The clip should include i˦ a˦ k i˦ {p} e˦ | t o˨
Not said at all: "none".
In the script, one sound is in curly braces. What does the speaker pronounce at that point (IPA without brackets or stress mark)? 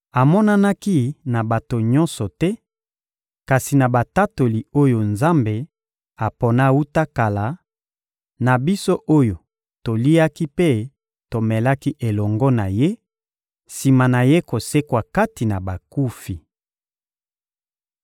p